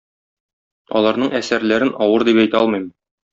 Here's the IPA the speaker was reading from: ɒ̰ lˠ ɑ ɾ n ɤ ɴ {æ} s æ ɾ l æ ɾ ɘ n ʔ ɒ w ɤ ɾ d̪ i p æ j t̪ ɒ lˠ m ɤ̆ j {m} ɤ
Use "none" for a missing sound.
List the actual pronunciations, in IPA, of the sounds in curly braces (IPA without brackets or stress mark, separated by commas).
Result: æ, m